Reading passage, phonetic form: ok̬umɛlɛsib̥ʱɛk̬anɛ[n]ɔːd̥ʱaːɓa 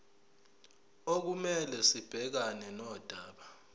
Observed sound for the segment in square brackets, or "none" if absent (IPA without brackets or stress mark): n